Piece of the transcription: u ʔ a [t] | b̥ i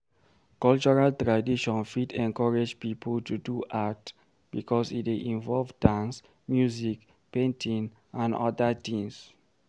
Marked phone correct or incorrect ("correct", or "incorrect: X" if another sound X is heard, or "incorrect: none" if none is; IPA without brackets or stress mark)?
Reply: correct